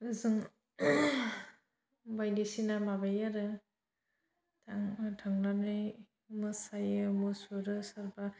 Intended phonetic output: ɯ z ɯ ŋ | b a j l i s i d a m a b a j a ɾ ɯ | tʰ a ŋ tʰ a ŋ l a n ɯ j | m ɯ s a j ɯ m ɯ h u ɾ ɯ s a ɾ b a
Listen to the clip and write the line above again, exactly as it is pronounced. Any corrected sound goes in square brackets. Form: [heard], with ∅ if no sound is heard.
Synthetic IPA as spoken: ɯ z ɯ ŋ | b a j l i s i [n] a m a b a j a ɾ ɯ | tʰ a ŋ tʰ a ŋ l a n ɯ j | m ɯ s a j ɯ m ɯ [s] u ɾ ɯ s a ɾ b a